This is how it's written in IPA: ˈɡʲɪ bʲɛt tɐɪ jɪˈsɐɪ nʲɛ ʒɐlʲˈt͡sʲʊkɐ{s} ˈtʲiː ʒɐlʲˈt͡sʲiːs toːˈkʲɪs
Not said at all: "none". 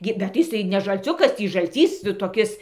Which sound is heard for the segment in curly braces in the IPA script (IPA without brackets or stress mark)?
s